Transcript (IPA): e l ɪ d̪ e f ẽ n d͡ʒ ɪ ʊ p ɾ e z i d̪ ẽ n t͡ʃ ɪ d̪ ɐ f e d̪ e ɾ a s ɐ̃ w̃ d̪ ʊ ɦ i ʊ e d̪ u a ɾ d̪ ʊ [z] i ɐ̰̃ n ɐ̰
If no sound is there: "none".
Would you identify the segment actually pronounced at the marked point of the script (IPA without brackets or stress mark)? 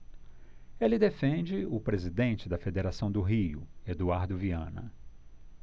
v